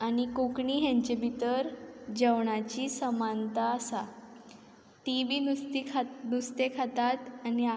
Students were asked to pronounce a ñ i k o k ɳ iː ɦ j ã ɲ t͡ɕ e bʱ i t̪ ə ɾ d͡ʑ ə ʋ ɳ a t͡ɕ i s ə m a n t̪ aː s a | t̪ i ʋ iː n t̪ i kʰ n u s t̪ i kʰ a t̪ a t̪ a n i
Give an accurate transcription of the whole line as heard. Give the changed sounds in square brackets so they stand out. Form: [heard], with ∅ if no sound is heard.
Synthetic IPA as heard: a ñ i k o k ɳ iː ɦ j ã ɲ t͡ɕ e bʱ i t̪ ə ɾ d͡ʑ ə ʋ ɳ a t͡ɕ i s ə m a n t̪ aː s a | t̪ i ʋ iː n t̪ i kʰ n u s t̪ [e] kʰ a t̪ a t̪ a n i